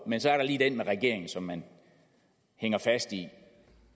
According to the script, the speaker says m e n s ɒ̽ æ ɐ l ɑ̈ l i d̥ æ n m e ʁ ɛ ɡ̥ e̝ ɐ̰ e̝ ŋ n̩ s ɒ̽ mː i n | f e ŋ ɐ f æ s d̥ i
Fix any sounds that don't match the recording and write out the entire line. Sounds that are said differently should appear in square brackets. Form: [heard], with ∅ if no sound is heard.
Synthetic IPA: m e n s ɒ̽ æ ɐ [ɾ] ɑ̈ l [iː] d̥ [e] n m e ʁ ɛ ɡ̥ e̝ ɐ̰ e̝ ŋ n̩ s ɒ̽ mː [æ] n | [h] e ŋ ɐ f æ s d̥ i